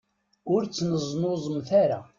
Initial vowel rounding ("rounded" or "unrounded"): rounded